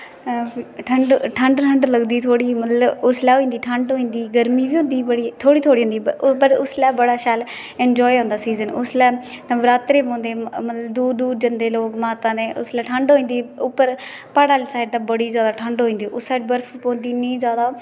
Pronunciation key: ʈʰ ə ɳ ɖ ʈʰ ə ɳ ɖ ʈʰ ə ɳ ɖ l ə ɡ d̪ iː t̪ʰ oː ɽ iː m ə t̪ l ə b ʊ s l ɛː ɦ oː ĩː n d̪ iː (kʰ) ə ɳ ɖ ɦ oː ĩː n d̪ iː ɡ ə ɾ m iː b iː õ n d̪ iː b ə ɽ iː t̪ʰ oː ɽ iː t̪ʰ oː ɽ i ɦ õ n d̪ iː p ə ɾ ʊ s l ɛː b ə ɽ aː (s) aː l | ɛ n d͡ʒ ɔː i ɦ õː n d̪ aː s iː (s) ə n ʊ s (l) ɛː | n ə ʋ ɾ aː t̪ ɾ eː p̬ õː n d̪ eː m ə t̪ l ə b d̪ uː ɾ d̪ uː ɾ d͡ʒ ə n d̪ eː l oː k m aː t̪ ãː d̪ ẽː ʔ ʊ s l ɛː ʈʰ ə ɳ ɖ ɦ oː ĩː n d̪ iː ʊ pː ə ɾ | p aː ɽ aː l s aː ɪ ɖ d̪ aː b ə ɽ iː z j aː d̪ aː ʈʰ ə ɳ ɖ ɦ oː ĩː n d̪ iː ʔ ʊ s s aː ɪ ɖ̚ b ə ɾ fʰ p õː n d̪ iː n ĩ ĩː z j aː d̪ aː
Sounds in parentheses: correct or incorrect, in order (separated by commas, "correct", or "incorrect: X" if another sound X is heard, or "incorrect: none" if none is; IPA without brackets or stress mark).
incorrect: ʈʰ, incorrect: ʃ, incorrect: z, correct